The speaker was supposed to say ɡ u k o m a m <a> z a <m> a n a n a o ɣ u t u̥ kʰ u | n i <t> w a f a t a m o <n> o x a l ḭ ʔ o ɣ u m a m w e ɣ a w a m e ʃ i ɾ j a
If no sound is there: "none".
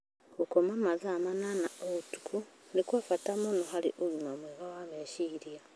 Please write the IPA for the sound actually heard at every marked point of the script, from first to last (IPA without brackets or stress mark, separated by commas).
a, m, k, n